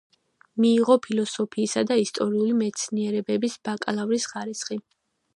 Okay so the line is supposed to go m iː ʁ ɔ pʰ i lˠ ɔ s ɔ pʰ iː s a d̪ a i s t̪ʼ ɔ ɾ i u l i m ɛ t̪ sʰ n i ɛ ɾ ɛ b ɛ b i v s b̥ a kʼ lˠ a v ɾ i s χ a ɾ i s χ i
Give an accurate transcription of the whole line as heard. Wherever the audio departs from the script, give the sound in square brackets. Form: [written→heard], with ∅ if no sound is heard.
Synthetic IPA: m iː ʁ ɔ pʰ i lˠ ɔ s ɔ pʰ iː s a d̪ a i s t̪ʼ ɔ ɾ i u l i m ɛ t̪ sʰ n i ɛ ɾ ɛ b ɛ b i [v→∅] s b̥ a kʼ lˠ a v ɾ i s χ a ɾ i s χ i